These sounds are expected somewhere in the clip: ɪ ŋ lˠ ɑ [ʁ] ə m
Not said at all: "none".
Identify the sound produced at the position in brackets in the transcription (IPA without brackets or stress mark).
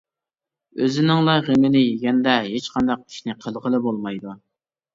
ʁ